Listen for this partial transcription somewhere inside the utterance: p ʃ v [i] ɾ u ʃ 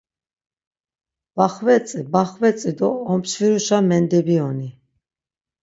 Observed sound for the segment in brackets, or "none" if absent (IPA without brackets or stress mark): i